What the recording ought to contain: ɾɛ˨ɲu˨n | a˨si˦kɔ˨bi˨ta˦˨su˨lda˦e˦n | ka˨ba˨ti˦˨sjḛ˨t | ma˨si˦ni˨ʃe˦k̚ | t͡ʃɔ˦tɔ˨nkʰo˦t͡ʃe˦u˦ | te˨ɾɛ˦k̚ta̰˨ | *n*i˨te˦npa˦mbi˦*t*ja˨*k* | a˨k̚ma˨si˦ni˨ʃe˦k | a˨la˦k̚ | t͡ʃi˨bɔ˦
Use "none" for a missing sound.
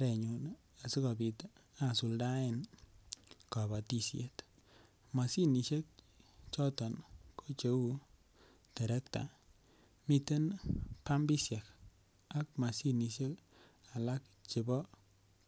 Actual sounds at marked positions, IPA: m, s, k

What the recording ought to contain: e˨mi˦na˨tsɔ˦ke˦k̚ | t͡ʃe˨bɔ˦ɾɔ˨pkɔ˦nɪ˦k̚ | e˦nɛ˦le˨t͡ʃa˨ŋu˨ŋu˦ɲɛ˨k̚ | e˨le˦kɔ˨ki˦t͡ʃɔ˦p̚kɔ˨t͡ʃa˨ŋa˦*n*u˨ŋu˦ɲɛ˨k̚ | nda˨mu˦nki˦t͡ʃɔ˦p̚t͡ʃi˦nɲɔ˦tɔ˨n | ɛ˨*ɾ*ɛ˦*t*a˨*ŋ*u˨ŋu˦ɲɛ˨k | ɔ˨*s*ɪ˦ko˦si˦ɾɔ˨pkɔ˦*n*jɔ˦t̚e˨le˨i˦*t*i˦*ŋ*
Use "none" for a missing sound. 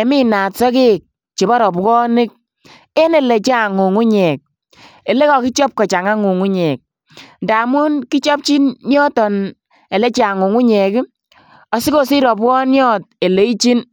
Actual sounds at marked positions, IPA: ŋ, l, t͡ʃ, ŋ, s, n, t͡ʃ, n

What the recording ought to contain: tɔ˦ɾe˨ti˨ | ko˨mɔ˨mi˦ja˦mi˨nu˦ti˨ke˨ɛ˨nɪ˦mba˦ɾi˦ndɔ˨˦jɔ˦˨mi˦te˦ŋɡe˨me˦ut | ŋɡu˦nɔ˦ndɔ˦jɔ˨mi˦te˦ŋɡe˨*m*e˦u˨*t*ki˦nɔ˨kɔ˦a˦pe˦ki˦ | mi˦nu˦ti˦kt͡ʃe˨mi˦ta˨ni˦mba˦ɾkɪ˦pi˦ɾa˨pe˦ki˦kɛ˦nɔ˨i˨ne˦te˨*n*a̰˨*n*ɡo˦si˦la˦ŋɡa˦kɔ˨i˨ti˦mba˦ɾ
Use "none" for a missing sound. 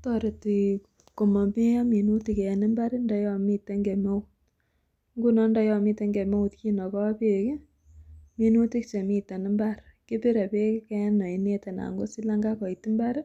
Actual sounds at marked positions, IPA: m, t, n, ŋ

